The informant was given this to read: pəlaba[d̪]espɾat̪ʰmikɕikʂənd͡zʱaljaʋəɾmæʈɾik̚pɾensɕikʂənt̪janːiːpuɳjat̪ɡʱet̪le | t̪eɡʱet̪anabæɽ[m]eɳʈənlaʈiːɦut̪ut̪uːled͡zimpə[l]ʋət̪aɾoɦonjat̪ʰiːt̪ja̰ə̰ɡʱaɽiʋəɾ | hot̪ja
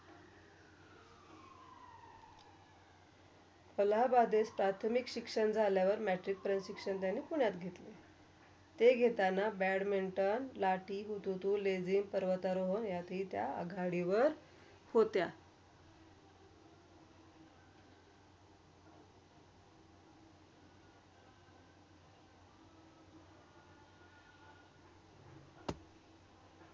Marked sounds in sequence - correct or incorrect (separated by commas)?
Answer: correct, correct, incorrect